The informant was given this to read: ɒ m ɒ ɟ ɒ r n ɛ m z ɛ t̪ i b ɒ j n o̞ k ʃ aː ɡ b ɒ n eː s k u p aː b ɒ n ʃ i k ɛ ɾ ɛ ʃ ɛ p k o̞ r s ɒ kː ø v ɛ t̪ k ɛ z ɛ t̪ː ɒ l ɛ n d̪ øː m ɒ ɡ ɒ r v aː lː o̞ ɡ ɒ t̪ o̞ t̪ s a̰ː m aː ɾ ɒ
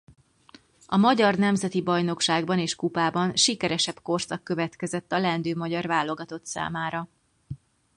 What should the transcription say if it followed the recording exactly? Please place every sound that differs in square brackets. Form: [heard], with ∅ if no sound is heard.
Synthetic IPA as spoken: ɒ m ɒ ɟ ɒ r n ɛ m z ɛ t̪ i b ɒ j n o̞ k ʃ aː ɡ b ɒ n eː [ʃ] k u p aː b ɒ n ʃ i k ɛ ɾ ɛ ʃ ɛ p k o̞ r s ɒ kː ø v ɛ t̪ k ɛ z ɛ t̪ː ɒ l ɛ n d̪ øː m ɒ [ɟ] ɒ r v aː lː o̞ ɡ ɒ t̪ o̞ t̪ s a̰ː m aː ɾ ɒ